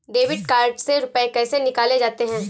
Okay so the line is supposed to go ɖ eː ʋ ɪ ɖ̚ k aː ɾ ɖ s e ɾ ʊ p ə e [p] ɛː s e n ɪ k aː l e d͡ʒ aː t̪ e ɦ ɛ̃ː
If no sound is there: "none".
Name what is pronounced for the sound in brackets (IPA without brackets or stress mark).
k